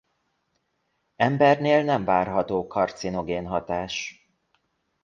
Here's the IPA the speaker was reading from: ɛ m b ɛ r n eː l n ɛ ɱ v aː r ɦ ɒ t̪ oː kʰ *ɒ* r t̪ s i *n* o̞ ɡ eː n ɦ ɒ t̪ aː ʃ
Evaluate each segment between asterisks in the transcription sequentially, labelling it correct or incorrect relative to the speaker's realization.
correct, correct

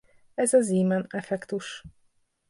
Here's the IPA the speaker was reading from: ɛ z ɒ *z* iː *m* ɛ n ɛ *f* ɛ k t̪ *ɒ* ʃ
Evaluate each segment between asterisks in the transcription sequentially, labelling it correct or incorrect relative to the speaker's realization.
correct, correct, correct, incorrect: u

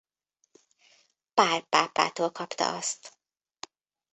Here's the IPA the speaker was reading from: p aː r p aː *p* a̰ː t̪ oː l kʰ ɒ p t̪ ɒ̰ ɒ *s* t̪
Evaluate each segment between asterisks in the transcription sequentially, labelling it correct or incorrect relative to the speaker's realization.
correct, correct

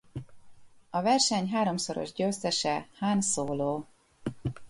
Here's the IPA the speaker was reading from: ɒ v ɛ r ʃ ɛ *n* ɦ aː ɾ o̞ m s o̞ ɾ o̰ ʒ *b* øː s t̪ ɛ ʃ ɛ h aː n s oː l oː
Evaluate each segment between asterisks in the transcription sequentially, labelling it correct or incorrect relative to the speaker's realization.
incorrect: ɲ, incorrect: ɟ

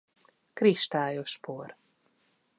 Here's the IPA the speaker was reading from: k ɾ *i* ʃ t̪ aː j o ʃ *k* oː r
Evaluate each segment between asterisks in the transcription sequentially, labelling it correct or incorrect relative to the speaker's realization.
correct, incorrect: p

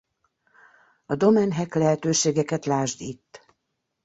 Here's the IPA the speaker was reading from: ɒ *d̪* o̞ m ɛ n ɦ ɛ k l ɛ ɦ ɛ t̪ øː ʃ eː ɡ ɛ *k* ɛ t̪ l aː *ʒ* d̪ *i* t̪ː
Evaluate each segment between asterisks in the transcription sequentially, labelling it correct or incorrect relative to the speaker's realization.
correct, correct, correct, correct

